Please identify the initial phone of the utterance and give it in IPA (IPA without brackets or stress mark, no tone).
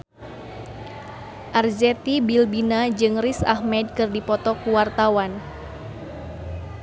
ʔ